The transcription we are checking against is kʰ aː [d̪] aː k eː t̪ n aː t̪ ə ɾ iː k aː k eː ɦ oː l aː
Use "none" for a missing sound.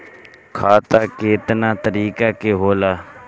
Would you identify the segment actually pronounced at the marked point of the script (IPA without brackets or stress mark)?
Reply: t̪